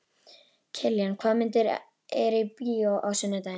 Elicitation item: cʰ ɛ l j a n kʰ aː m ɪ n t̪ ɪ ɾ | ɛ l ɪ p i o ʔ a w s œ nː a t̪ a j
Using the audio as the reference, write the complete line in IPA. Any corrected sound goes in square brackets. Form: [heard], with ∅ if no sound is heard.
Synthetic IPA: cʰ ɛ l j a n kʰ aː m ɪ n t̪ ɪ ɾ | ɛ [ɾ] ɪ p i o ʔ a w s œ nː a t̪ a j